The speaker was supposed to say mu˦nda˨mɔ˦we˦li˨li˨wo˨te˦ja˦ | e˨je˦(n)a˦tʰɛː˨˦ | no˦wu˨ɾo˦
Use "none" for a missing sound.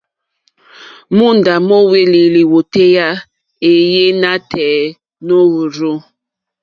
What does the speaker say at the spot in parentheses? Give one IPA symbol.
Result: n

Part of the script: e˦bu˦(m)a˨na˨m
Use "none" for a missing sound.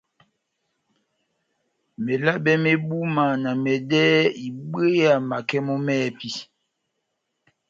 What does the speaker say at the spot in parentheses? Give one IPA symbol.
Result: m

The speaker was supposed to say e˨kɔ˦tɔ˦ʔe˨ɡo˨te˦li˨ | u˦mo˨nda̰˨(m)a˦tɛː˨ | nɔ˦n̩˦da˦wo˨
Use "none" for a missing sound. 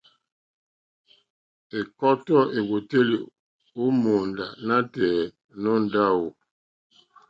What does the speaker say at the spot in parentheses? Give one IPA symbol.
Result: n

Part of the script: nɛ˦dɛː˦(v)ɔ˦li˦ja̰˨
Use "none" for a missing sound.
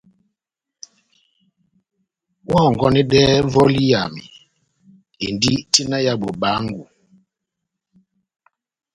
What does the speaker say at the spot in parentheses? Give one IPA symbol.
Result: v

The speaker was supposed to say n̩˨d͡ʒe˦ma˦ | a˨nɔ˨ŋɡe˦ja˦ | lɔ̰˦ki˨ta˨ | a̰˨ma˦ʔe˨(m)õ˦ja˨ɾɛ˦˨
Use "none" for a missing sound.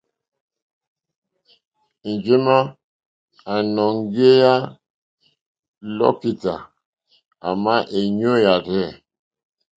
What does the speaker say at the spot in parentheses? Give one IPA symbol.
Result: ɲ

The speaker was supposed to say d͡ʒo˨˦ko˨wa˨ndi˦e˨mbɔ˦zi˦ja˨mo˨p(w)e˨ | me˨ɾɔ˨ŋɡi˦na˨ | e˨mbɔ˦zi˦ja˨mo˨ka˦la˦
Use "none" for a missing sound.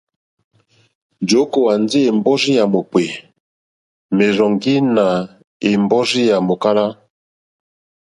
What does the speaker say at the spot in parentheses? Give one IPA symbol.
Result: w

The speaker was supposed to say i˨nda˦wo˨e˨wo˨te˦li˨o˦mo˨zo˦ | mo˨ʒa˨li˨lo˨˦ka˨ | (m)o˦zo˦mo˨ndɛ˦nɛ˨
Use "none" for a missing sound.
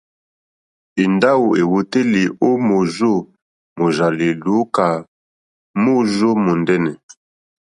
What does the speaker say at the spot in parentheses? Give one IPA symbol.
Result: m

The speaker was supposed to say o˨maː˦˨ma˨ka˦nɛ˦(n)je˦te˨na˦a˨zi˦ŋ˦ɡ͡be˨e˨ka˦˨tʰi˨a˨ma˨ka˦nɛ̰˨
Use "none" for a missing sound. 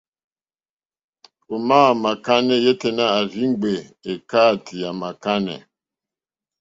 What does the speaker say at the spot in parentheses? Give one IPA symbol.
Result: none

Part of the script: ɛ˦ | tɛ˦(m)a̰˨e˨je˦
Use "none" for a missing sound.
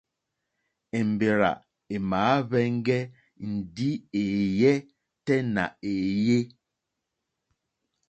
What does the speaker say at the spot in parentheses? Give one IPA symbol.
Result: n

